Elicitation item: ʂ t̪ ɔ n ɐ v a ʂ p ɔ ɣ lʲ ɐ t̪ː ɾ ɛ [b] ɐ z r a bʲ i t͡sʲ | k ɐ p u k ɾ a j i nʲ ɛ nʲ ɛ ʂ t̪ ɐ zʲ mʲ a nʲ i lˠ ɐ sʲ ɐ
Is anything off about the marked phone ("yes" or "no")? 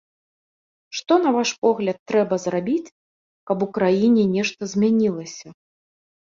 no